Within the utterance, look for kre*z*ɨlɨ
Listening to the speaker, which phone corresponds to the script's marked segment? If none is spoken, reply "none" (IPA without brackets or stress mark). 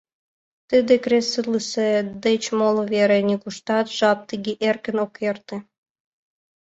s